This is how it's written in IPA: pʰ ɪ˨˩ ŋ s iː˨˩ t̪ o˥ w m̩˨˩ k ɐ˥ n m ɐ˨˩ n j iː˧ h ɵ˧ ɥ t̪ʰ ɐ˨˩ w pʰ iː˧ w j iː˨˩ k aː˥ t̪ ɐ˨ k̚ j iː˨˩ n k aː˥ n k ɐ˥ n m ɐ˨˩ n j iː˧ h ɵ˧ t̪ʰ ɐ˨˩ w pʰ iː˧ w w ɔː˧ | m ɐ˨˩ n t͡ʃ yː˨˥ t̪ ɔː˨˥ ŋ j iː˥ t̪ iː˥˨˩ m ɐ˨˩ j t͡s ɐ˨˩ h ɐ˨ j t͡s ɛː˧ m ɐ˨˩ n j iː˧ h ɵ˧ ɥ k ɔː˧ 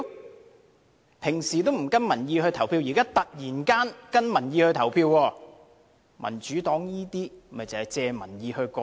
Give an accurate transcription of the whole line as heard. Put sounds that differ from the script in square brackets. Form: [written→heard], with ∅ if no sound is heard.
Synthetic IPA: pʰ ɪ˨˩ ŋ s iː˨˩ t̪ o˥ w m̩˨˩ k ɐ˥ n m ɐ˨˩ n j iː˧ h ɵ˧ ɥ t̪ʰ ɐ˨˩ w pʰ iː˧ w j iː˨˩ k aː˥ t̪ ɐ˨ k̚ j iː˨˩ n k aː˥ n k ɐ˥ n m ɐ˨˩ n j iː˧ h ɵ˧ t̪ʰ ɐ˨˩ w pʰ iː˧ w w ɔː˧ | m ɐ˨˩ n t͡ʃ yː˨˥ t̪ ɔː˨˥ ŋ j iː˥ t̪ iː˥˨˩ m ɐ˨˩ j t͡s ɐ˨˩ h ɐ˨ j t͡s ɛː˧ m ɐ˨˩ n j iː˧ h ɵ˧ ɥ k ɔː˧